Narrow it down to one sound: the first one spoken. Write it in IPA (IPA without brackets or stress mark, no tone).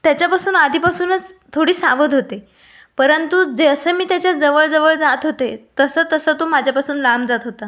t̪